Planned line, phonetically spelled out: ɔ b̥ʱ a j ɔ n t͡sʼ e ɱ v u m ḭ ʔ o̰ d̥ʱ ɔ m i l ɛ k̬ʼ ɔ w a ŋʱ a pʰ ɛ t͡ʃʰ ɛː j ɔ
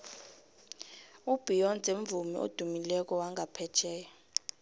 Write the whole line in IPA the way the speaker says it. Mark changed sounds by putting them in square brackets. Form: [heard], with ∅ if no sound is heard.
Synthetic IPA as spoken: [u] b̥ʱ [i] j ɔ n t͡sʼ e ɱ v u m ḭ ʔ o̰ d̥ʱ [u] m i l ɛ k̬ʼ ɔ w a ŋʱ a pʰ ɛ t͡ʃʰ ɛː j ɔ